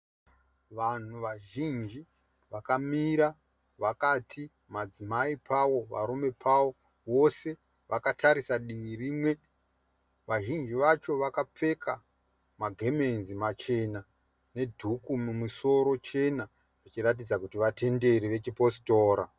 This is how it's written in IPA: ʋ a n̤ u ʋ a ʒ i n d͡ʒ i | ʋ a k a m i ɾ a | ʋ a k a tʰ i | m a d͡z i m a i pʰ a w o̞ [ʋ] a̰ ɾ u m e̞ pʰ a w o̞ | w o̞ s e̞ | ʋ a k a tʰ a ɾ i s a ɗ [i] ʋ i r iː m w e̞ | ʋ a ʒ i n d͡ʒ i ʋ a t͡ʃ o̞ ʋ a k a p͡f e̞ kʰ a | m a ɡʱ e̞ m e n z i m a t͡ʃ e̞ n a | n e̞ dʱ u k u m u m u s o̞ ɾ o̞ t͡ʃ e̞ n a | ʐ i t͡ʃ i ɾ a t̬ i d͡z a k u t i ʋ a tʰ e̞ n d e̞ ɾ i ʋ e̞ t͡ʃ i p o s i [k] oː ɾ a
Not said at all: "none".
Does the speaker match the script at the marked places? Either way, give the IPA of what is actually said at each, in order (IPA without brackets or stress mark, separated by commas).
ʋ, i, t